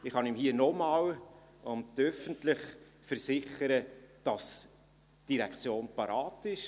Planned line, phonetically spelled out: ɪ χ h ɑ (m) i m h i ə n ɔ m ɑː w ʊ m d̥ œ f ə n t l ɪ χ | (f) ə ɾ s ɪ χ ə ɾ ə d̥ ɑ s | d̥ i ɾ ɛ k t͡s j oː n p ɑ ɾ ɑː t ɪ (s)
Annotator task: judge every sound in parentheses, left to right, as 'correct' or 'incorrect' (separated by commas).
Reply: incorrect, correct, incorrect